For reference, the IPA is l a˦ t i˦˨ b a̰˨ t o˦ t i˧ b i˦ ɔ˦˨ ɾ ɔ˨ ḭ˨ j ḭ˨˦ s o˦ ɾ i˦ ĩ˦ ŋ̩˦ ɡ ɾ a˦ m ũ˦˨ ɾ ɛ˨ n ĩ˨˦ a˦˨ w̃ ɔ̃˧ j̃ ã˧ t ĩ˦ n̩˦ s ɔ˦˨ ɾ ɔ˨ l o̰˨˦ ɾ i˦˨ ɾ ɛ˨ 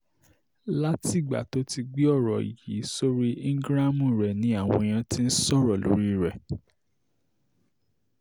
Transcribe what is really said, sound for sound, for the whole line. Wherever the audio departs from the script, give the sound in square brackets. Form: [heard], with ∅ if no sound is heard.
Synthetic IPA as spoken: l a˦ t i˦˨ [ɡ͡b] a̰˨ t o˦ t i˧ [ɡ͡b] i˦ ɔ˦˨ ɾ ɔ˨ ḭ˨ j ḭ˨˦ s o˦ ɾ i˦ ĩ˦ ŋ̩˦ ɡ ɾ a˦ m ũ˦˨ ɾ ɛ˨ n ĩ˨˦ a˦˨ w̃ ɔ̃˧ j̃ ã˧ t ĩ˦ n̩˦ s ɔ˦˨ ɾ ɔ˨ l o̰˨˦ ɾ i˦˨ ɾ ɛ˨